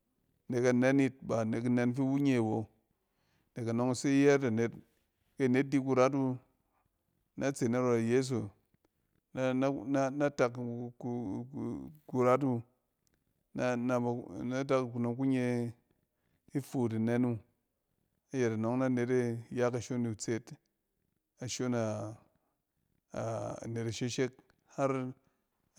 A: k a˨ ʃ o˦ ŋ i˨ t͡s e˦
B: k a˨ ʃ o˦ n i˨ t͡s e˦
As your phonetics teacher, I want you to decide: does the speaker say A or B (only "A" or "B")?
B